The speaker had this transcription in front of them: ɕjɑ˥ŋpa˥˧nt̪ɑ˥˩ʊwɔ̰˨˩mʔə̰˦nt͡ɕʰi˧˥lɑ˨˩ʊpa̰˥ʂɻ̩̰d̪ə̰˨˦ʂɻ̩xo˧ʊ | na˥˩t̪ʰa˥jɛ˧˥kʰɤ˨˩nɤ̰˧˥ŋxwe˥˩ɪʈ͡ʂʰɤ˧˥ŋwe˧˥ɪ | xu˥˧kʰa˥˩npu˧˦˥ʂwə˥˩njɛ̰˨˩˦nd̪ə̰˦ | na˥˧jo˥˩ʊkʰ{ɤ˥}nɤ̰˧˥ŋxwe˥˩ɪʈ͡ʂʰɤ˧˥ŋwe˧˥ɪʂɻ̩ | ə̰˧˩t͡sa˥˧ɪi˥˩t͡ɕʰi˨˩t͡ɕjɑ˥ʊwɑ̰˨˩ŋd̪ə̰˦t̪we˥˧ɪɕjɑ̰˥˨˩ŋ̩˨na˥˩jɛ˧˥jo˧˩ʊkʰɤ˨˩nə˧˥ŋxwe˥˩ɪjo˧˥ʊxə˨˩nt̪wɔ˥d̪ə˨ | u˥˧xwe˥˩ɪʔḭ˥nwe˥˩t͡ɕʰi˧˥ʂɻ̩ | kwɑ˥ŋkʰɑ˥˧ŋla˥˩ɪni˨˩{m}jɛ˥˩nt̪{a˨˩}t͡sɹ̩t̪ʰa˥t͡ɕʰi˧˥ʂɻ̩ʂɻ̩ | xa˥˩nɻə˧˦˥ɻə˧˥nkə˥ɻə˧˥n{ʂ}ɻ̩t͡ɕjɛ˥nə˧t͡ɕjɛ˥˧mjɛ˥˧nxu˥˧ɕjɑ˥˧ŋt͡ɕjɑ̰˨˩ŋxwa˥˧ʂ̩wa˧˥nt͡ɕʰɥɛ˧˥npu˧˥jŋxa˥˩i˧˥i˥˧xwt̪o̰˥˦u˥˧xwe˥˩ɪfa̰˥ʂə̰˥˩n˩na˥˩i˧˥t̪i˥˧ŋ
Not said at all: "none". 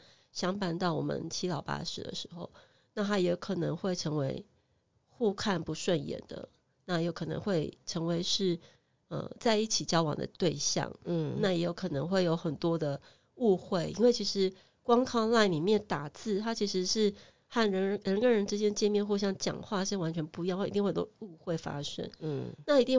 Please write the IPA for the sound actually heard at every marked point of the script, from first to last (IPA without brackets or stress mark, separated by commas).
ɤ˨˩, m, a˨˩, ʈ͡ʂ